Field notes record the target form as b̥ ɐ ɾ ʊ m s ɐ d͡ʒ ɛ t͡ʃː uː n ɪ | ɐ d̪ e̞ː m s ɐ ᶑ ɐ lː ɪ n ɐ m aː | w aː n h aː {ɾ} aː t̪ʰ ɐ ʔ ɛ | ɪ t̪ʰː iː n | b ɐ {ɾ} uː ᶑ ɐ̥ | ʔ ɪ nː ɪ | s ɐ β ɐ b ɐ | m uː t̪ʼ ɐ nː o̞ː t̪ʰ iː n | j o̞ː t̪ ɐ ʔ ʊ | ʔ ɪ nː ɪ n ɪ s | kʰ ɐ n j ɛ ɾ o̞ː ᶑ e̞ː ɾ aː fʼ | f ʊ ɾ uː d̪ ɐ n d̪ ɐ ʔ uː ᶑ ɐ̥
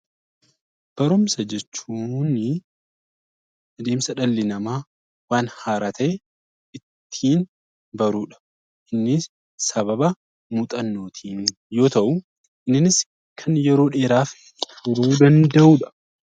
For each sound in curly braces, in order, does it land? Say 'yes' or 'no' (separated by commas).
yes, yes